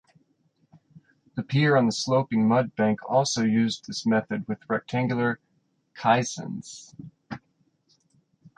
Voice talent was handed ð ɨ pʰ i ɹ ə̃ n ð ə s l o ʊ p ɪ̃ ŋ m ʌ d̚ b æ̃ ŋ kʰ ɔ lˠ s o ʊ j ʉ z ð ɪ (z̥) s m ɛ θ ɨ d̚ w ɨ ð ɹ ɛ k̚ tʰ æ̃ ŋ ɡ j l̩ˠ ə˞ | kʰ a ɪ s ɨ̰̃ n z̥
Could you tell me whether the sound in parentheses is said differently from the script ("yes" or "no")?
yes